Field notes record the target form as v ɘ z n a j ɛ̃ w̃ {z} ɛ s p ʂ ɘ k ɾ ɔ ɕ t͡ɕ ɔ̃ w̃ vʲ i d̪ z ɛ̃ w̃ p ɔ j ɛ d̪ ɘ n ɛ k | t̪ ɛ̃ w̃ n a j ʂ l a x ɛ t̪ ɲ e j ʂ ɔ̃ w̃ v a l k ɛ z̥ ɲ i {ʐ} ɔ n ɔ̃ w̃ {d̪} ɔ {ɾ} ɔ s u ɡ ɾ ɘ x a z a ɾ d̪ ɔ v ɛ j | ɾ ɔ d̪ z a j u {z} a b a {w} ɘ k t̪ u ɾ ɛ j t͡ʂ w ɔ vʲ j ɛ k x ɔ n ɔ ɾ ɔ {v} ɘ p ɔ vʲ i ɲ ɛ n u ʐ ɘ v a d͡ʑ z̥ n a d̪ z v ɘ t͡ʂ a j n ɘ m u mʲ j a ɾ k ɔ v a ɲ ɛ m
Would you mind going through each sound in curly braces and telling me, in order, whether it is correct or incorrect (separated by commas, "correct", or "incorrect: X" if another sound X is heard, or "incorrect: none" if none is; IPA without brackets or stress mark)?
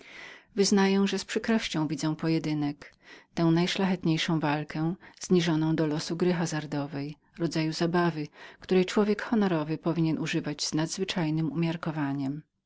incorrect: ʐ, correct, correct, incorrect: l, correct, incorrect: v, correct